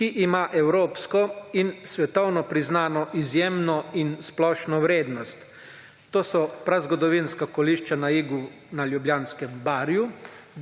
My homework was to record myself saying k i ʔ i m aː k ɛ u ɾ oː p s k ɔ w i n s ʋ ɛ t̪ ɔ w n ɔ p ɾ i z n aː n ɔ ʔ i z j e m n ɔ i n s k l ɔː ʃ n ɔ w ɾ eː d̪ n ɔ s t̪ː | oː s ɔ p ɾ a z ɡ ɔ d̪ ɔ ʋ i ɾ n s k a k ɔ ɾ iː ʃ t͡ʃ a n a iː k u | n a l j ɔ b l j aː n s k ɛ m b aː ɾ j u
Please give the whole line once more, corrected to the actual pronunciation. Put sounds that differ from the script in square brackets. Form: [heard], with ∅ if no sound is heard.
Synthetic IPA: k i ʔ i m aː [ʔ] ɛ [w] ɾ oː p s k ɔ [∅] i n s ʋ ɛ t̪ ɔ w n ɔ p ɾ i z n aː n ɔ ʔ i z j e m n ɔ i n s [p] l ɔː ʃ n ɔ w ɾ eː d̪ n ɔ s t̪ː | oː s ɔ p ɾ a z ɡ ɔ d̪ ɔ ʋ i [∅] n s k a k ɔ [l] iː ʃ t͡ʃ a n a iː [ɡ] u | n a l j [u] b l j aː n s k ɛ m b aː ɾ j u

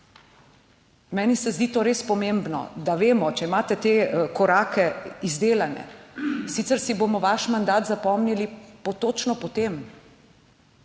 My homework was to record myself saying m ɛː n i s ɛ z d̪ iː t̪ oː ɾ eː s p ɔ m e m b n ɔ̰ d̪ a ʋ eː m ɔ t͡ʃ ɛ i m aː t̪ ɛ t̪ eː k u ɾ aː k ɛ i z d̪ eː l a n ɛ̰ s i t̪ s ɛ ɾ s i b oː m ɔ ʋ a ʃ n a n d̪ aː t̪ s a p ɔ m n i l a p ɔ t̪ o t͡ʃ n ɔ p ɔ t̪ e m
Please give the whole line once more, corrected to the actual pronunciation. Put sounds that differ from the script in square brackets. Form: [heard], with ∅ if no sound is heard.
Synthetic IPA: m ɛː n i s ɛ z d̪ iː t̪ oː ɾ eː s p ɔ m e m b n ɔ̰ d̪ a ʋ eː m ɔ t͡ʃ ɛ i m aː t̪ ɛ t̪ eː k [ɔ] ɾ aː k ɛ i z d̪ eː l a n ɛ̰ s i t̪ s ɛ ɾ s i b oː m ɔ ʋ a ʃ [m] a n d̪ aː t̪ [z] a p ɔ m n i l [i] p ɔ t̪ o t͡ʃ n ɔ p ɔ t̪ e m

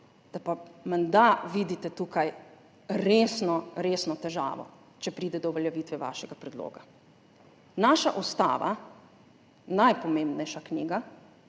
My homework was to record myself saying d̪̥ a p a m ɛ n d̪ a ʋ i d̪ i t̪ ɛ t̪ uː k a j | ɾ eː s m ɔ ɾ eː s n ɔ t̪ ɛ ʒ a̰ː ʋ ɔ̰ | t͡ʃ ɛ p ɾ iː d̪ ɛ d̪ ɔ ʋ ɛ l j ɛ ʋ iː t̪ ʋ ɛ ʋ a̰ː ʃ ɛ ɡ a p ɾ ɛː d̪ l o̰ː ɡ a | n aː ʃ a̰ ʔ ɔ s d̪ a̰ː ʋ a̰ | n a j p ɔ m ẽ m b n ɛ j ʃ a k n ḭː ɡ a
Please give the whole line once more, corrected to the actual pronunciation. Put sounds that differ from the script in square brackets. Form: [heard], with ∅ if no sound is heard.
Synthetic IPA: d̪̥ a p a m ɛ n d̪ a ʋ i d̪ i t̪ ɛ t̪ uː k a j | ɾ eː s [n] ɔ ɾ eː s n ɔ t̪ ɛ ʒ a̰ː ʋ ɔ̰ | t͡ʃ ɛ p ɾ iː d̪ ɛ d̪ ɔ ʋ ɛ l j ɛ ʋ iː t̪ ʋ ɛ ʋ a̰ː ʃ ɛ ɡ a p ɾ [ɛ] d̪ l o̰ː ɡ a | n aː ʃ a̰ ʔ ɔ s [t̪] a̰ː ʋ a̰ | n a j p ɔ m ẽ m b n ɛ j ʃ a k n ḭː ɡ a

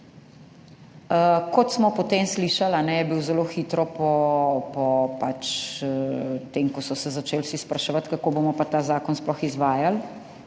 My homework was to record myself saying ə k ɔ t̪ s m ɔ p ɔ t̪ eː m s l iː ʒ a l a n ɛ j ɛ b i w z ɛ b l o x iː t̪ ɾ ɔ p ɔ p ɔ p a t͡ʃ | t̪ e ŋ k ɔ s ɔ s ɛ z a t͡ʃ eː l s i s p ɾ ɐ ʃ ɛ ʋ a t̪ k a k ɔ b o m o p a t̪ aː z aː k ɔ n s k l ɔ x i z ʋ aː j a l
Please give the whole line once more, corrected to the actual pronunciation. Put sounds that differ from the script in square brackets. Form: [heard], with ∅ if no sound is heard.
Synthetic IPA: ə k ɔ t̪ s m ɔ p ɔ t̪ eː m s l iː [ʃ] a l a n ɛ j ɛ b i w z ɛ [∅] l o x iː t̪ ɾ ɔ p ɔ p ɔ p a t͡ʃ | t̪ e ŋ k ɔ s ɔ s ɛ z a t͡ʃ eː l s i s p ɾ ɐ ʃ ɛ ʋ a t̪ k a k [o] b o m [ɔ] p a t̪ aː z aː k ɔ n s [p] l ɔ x i z ʋ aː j a l

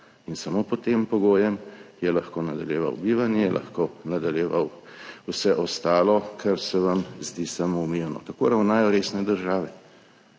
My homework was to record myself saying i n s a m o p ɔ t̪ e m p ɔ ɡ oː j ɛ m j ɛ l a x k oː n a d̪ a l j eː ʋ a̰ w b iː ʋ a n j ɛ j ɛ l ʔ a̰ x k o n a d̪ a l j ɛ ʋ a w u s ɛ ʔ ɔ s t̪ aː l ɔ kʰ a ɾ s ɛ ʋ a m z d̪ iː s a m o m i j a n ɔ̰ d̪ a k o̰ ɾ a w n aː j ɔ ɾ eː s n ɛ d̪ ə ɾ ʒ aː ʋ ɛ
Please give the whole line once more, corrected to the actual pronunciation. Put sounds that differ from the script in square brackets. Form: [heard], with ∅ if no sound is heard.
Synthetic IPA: i n s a m o p ɔ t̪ e m p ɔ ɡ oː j ɛ m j ɛ l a x k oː n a d̪ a l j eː ʋ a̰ w b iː ʋ a n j ɛ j ɛ l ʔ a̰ x k o n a d̪ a l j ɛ ʋ a w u s ɛ ʔ ɔ s t̪ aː l ɔ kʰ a ɾ s ɛ ʋ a m z d̪ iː s a m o m i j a n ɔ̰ [t̪] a k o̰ ɾ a w n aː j ɔ ɾ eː s n ɛ d̪ ə ɾ ʒ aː ʋ ɛ

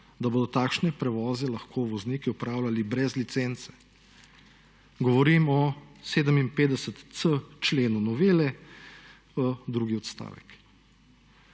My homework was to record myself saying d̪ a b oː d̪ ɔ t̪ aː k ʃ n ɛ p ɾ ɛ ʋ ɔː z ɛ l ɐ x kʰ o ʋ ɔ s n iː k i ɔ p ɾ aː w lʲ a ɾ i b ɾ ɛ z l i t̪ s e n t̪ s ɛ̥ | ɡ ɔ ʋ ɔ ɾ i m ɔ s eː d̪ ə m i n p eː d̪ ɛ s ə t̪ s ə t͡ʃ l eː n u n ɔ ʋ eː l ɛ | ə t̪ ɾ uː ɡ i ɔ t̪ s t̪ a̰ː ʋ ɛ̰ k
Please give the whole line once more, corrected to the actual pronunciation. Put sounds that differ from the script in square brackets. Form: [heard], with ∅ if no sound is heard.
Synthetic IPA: d̪ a b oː d̪ ɔ t̪ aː k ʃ n ɛ p ɾ ɛ ʋ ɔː z ɛ l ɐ x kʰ o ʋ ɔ [z] n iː k i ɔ p ɾ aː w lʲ a [l] i b ɾ ɛ z l i t̪ s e n t̪ s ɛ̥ | ɡ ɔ ʋ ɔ ɾ i m ɔ s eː d̪ ə m i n p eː d̪ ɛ s ə t̪ s ə t͡ʃ l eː n u n ɔ ʋ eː l ɛ | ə [d̪] ɾ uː ɡ i ɔ t̪ s t̪ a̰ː ʋ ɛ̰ k

